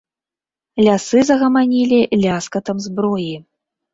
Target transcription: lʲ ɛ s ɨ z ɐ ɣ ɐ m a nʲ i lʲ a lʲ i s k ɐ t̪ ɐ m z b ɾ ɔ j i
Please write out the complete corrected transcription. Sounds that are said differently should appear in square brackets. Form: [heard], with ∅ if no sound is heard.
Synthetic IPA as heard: lʲ [a] s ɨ z ɐ ɣ ɐ m a nʲ i lʲ [i] lʲ [a] s k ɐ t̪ ɐ m z b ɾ ɔ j i